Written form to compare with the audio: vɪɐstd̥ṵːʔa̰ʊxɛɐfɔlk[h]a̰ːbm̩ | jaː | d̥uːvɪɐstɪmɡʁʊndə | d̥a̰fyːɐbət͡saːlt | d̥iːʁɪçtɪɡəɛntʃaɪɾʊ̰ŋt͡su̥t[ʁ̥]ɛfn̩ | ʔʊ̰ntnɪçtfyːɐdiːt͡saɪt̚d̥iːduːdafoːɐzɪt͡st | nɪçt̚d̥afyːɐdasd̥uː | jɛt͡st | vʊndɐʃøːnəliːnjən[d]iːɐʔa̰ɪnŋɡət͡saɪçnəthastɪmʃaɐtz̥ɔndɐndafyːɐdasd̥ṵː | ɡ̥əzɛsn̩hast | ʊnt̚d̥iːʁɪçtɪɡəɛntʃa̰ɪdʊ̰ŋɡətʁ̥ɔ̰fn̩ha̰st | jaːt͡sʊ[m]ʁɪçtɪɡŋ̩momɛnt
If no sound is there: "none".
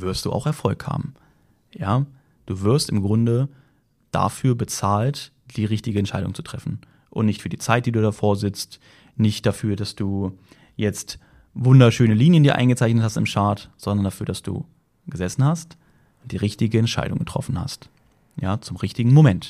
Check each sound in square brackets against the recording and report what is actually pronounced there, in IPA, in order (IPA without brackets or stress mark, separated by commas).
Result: h, ʁ̥, d, m